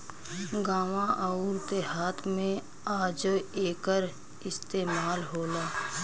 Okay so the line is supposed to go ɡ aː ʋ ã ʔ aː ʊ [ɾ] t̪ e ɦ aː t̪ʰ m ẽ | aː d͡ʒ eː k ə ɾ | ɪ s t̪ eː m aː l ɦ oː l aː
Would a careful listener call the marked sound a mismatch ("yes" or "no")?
no